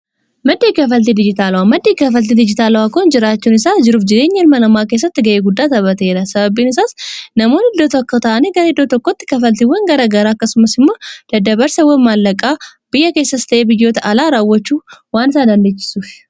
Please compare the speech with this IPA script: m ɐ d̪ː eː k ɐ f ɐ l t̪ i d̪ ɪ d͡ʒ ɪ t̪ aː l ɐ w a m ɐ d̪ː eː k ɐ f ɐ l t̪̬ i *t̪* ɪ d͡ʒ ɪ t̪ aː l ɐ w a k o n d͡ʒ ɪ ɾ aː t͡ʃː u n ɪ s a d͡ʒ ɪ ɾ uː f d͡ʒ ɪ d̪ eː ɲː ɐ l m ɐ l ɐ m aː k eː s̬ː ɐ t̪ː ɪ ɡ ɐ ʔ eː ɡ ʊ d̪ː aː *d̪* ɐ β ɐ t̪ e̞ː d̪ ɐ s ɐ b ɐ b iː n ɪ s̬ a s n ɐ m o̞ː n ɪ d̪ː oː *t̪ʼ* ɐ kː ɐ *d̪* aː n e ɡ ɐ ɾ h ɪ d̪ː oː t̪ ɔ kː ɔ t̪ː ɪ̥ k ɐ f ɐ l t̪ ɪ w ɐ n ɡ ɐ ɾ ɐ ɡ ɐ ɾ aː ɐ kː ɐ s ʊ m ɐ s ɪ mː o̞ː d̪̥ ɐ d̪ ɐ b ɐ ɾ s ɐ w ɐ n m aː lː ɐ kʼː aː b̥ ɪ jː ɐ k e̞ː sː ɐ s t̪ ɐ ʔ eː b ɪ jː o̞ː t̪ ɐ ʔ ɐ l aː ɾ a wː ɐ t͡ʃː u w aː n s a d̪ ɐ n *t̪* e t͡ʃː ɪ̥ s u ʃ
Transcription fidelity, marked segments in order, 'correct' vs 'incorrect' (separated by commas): incorrect, incorrect, incorrect, incorrect, incorrect